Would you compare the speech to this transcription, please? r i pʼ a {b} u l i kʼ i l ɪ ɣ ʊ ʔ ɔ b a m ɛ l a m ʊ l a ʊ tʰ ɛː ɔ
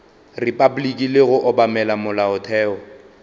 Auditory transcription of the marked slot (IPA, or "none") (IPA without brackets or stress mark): b